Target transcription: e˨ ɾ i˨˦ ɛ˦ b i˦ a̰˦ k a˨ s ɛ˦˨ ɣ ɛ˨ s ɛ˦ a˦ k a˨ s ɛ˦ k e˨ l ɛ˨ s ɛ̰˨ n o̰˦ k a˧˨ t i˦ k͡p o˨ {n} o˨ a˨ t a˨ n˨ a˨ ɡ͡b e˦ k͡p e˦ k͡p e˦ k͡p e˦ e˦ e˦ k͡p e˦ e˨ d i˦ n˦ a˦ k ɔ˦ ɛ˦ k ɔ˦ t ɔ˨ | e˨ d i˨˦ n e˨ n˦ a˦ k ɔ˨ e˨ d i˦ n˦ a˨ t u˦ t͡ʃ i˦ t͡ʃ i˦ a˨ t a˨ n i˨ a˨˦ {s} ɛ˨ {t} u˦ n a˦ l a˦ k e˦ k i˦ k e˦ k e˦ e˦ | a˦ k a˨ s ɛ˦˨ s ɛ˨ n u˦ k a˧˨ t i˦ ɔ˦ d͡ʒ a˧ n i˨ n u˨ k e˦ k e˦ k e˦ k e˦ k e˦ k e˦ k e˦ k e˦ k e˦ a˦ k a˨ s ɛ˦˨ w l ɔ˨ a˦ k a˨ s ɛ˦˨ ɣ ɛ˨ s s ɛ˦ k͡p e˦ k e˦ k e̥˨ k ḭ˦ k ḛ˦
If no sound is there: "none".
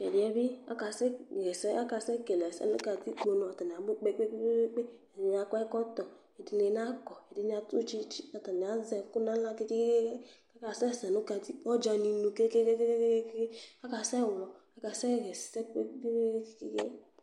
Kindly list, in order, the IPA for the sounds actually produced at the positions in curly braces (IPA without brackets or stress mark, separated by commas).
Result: n, z, k